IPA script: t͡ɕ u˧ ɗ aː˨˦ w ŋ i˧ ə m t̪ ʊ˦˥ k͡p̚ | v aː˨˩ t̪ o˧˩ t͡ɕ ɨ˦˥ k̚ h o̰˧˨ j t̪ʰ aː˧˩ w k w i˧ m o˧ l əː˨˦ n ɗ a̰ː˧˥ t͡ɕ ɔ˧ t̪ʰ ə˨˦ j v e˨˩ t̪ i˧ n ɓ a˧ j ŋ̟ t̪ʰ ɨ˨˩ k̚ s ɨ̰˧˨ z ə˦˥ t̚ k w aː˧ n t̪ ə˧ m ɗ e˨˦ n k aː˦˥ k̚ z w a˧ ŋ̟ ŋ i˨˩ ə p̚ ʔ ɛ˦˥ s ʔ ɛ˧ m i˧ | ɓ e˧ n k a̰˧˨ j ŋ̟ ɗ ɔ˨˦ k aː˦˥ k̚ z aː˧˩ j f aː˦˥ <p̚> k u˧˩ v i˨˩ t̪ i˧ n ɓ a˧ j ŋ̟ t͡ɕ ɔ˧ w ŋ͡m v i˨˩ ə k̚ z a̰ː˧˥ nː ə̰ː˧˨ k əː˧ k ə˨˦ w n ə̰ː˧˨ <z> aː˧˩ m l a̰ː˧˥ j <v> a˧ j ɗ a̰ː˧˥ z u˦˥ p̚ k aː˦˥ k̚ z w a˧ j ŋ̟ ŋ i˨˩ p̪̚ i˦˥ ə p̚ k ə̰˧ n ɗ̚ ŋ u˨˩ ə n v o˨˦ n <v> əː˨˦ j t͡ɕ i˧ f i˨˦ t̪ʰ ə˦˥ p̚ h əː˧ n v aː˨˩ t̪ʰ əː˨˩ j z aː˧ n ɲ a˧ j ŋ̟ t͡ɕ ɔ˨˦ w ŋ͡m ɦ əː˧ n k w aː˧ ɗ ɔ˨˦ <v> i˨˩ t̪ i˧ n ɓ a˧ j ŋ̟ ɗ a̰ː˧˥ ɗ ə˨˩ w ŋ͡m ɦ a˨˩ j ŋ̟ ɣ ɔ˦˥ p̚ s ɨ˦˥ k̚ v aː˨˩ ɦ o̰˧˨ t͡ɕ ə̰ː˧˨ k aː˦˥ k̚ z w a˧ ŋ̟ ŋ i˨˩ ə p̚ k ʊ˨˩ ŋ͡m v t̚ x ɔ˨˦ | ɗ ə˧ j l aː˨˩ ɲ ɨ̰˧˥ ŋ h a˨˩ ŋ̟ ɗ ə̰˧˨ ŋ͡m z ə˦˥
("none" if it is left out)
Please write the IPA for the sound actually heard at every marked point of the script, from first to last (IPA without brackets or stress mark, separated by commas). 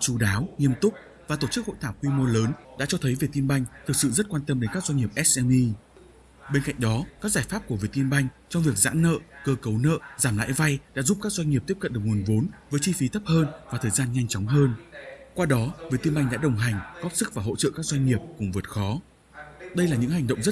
p̚, z, v, v, v